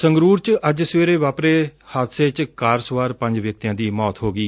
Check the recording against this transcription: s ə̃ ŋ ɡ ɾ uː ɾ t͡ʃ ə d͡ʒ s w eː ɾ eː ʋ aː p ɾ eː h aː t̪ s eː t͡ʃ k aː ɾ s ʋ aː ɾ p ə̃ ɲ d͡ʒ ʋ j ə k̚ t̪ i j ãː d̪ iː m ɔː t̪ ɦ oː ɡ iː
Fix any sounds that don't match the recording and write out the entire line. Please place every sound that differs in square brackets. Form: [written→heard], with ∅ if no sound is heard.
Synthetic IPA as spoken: s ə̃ ŋ ɡ ɾ uː ɾ t͡ʃ ə d͡ʒ s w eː ɾ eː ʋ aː p ɾ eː h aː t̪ s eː t͡ʃ k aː ɾ s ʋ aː ɾ p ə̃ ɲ d͡ʒ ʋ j ə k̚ t̪ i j ãː d̪ iː m ɔː t̪ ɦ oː ɡ iː